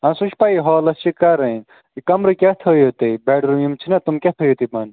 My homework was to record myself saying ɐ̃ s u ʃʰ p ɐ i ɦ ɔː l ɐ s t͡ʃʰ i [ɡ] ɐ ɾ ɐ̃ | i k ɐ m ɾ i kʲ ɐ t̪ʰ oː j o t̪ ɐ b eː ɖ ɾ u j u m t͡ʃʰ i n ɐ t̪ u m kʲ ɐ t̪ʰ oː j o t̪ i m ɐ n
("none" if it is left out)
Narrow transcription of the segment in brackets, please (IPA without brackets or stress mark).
k